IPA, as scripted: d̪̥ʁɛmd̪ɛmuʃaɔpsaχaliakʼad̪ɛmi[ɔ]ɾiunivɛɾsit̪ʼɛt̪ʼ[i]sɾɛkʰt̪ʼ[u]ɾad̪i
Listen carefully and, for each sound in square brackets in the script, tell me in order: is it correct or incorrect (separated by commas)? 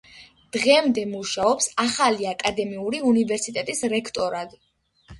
incorrect, correct, incorrect